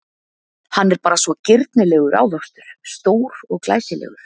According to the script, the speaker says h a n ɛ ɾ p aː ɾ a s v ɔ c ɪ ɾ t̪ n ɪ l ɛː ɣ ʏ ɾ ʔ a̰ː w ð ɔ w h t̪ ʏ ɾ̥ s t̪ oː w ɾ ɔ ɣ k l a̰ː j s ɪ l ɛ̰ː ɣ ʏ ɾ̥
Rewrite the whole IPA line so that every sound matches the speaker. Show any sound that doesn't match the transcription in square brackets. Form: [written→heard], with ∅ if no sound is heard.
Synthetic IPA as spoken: h a [n→nː] ɛ ɾ p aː ɾ a s v ɔ c ɪ ɾ t̪ n ɪ l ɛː ɣ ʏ ɾ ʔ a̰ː w ð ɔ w [h→s] t̪ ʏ ɾ̥ s t̪ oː w ɾ ɔ ɣ k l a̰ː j s ɪ l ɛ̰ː ɣ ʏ ɾ̥